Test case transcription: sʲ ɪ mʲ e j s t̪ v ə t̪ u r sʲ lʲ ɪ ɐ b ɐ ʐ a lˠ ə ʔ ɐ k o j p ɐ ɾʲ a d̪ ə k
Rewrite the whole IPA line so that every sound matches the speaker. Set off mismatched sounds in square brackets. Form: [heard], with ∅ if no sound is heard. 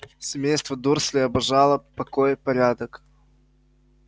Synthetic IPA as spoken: sʲ ɪ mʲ e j s t̪ v ə [d̪] u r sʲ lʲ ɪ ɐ b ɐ ʐ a lˠ ə [p] ɐ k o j p ɐ ɾʲ a d̪ ə k